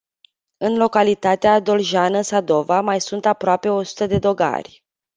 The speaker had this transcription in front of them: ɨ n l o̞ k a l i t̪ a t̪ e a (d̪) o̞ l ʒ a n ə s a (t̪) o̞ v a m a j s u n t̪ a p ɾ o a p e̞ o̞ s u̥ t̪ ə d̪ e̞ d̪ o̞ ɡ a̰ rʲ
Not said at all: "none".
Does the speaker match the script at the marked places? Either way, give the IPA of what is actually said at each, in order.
d̪, d̪

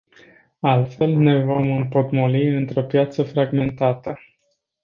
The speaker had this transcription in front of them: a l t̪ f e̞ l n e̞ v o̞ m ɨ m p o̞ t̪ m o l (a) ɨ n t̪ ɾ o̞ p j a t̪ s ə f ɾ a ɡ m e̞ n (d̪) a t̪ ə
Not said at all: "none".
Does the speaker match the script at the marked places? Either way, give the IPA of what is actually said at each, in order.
i, t̪

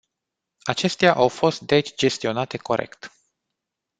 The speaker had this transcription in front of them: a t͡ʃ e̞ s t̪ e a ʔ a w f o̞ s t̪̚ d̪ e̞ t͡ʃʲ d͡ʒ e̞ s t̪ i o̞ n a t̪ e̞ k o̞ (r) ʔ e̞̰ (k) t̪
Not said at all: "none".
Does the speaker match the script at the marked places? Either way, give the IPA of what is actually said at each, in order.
ɾ, k

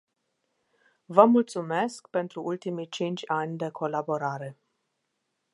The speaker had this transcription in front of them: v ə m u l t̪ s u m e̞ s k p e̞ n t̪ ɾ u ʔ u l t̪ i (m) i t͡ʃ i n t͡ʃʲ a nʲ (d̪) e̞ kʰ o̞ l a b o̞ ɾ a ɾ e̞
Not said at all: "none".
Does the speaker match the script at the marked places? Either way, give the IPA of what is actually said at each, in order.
m, d̪

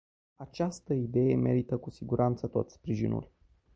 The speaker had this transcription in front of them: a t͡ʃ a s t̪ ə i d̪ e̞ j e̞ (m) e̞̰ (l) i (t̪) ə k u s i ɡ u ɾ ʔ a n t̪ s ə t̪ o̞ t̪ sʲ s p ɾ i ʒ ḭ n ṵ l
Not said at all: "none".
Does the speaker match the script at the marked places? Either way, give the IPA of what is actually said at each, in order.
m, ɾ, t̪

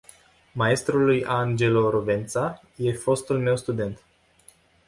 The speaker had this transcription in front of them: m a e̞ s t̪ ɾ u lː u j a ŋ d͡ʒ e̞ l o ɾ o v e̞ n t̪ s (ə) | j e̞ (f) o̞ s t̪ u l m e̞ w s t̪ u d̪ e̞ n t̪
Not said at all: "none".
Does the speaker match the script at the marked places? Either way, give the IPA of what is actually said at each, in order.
a, f

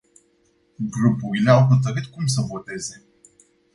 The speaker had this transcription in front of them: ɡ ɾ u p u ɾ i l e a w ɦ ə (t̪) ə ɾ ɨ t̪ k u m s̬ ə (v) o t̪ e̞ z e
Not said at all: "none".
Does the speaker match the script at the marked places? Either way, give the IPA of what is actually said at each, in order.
t̪, v

